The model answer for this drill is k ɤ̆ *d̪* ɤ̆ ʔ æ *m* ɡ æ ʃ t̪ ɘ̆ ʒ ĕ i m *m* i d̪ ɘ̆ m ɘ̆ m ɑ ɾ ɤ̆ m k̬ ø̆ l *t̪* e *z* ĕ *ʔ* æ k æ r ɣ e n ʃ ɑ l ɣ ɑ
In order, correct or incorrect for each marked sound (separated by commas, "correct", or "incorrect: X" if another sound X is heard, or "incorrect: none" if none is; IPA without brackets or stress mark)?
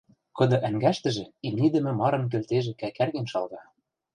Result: correct, incorrect: ŋ, incorrect: n, correct, incorrect: ʒ, incorrect: k